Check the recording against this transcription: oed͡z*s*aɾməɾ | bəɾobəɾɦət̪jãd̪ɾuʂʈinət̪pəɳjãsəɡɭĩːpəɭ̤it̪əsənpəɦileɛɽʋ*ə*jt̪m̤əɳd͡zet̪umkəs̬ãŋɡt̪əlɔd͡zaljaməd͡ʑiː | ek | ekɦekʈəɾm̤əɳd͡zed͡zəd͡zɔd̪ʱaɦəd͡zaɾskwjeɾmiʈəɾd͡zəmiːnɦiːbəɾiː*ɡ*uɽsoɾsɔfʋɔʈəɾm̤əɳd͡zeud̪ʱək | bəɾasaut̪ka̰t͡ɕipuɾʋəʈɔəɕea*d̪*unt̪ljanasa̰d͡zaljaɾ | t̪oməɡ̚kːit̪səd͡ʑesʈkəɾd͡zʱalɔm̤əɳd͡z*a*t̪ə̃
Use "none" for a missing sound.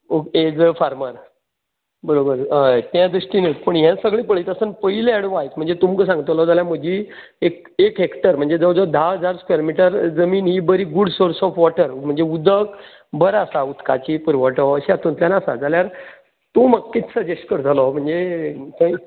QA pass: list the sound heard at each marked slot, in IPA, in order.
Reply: f, a, ɡ, t̪, e

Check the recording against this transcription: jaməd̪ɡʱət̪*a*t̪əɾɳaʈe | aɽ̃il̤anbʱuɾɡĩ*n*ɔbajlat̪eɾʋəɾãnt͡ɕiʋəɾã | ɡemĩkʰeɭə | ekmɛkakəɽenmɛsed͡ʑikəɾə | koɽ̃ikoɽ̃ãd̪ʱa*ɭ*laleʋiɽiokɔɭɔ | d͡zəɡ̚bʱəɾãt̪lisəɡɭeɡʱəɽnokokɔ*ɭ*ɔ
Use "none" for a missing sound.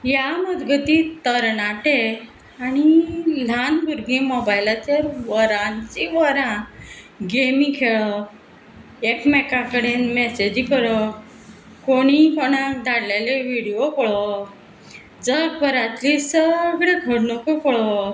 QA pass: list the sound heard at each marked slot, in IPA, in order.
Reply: i, m, ɽ, ɭ

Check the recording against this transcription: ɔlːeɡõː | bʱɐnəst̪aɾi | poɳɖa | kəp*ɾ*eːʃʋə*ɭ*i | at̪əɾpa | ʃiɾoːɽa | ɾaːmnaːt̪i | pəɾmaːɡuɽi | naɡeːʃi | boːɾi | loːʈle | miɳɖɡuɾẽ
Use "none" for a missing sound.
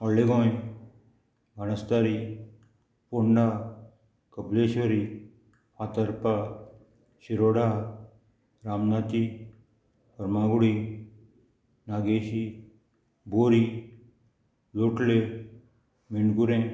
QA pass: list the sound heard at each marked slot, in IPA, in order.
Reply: l, ɾ

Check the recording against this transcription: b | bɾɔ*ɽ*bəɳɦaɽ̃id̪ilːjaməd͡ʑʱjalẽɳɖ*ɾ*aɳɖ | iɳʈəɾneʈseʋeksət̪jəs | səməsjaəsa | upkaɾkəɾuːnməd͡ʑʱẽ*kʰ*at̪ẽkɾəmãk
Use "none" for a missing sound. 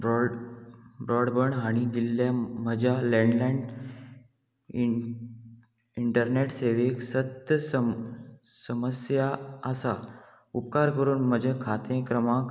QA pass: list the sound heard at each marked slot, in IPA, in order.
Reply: ɽ, l, kʰ

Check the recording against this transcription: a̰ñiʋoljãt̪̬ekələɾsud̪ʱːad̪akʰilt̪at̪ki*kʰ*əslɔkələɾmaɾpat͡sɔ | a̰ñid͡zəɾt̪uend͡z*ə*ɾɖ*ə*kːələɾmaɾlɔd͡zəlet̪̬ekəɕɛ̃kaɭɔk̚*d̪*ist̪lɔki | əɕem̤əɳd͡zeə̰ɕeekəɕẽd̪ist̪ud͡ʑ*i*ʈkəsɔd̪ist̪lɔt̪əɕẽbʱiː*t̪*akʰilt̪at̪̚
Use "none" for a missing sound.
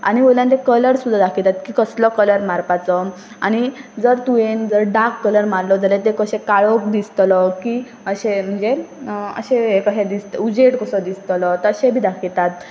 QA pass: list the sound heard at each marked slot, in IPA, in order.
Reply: k, ə, a, d̪, e, d̪

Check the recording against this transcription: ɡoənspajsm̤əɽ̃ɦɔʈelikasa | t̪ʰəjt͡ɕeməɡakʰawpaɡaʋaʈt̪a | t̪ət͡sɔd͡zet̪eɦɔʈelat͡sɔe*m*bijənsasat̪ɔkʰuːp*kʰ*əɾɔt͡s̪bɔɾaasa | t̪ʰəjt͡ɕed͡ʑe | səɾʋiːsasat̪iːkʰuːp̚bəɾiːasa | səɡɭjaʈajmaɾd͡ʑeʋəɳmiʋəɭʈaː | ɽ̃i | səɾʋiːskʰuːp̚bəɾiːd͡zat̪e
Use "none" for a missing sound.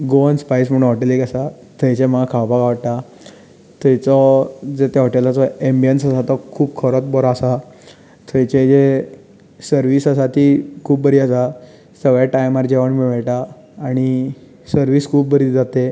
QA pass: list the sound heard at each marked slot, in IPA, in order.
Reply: m, kʰ

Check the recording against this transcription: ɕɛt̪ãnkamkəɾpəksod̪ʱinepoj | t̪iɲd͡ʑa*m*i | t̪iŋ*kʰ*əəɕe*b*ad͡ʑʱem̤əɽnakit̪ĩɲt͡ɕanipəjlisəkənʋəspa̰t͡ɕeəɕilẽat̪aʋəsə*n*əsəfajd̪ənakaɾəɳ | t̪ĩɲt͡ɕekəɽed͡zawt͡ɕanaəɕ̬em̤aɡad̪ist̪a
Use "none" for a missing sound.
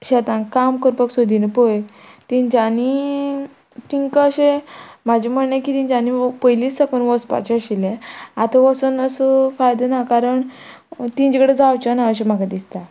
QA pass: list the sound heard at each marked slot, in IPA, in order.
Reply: n, k, m, n

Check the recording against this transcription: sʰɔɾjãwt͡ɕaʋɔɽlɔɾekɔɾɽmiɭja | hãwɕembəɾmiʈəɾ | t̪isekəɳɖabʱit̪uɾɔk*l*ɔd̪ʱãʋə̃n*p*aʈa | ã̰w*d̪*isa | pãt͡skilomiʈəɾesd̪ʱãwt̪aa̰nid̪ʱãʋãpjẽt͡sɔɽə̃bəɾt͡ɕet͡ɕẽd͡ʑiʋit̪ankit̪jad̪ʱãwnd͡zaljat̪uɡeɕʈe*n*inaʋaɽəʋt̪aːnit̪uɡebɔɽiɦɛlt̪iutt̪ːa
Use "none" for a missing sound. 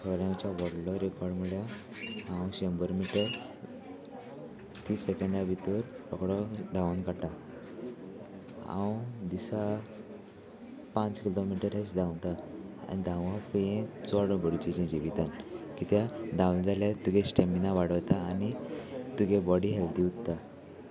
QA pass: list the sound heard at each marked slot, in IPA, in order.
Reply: ɽ, k, d̪, m

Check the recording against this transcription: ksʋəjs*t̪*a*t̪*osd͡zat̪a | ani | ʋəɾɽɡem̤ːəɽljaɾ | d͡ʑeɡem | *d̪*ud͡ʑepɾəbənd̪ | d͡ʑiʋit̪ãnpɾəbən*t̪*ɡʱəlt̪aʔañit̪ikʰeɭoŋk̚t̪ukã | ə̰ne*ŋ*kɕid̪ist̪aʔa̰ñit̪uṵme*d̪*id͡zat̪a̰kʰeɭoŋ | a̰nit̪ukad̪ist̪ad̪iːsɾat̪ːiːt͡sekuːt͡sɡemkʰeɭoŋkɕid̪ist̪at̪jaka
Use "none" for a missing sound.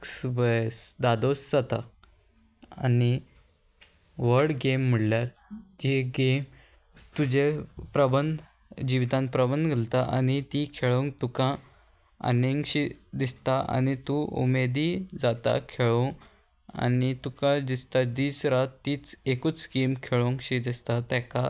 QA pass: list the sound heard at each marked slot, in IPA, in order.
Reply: d̪, d̪, t̪, d̪, ŋ, d̪

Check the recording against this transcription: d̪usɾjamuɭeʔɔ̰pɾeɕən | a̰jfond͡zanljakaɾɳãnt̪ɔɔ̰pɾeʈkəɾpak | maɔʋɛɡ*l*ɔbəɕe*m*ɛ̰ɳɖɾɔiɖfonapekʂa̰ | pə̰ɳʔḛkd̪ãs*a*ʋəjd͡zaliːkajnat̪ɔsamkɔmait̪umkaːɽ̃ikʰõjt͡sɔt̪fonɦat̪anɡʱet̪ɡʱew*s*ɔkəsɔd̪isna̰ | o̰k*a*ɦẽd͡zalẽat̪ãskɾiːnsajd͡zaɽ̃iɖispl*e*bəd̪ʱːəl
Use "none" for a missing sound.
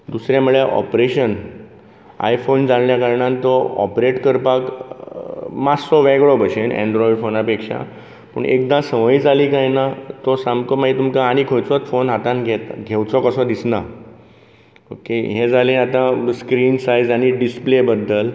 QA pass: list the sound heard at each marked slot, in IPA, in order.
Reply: ɭ, n, ə, t͡s, e, e

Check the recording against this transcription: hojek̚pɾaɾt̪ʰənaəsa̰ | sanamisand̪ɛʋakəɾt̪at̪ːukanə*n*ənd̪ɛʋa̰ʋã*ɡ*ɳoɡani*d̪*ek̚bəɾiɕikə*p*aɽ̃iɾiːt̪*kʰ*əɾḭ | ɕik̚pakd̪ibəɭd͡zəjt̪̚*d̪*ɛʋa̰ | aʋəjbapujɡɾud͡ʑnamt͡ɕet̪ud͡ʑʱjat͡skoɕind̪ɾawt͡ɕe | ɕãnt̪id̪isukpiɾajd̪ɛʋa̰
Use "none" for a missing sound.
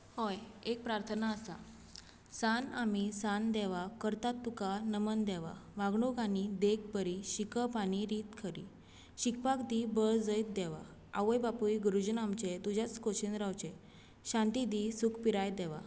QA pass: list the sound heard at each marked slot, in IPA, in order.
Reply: m, ɡ, d̪, p, kʰ, d̪

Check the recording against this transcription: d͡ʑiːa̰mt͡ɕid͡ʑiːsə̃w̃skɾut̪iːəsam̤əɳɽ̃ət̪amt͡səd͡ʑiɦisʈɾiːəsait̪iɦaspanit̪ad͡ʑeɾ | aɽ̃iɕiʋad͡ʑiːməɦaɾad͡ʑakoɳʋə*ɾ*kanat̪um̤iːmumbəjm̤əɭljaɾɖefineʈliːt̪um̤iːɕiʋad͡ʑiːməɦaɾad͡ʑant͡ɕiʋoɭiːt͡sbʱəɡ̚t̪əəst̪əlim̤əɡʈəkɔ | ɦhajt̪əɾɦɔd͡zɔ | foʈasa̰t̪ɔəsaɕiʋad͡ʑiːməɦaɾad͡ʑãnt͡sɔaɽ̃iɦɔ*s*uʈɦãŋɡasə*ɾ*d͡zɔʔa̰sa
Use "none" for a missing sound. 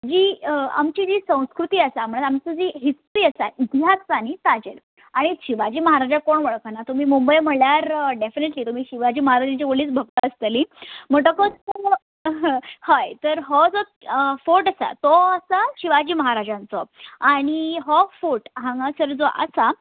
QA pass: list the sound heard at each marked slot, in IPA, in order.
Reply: ɭ, f, ɾ

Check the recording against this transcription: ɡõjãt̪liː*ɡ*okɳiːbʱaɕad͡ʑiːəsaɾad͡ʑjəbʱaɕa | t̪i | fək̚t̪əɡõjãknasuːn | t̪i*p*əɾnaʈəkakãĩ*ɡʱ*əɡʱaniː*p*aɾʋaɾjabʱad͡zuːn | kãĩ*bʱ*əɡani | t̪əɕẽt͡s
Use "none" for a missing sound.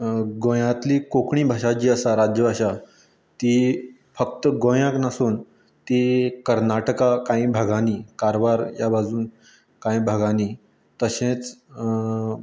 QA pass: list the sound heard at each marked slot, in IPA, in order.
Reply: k, k, bʱ, k, bʱ

